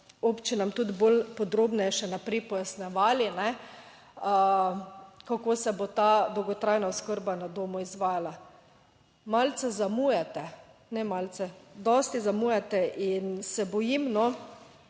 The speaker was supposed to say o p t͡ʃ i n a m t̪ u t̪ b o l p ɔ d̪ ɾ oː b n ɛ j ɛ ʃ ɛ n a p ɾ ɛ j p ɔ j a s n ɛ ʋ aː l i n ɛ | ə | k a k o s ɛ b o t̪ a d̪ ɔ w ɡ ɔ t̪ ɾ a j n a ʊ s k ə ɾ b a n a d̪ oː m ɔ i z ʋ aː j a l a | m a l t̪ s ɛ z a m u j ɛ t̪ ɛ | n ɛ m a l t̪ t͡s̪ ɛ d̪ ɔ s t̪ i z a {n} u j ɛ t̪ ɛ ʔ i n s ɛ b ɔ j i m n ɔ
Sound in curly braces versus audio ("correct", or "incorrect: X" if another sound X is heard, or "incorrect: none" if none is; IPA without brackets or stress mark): incorrect: m